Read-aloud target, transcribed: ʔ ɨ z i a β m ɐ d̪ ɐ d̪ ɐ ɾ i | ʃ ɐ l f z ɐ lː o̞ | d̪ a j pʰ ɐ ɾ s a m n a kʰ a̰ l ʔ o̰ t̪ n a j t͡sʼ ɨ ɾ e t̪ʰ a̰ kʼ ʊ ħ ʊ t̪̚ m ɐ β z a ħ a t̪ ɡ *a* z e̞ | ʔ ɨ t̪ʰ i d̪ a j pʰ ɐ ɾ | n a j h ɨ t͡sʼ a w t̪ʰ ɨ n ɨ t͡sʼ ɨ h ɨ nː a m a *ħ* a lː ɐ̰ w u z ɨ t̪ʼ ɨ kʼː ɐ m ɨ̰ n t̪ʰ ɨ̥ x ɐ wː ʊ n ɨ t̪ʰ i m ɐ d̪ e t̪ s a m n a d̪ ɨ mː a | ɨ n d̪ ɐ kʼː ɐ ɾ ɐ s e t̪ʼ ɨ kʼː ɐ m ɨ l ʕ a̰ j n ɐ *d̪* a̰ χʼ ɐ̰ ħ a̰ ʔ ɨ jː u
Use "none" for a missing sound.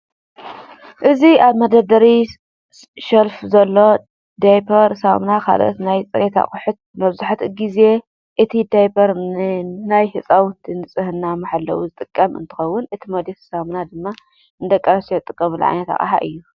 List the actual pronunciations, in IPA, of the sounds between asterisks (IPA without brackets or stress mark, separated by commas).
i, ħ, t̪